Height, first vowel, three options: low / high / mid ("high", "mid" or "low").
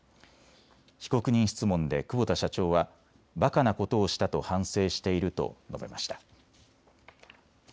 high